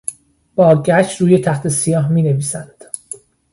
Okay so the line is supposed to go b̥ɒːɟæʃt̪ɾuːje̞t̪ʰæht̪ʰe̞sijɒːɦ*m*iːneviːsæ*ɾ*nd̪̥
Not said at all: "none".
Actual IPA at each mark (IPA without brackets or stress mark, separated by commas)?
m, none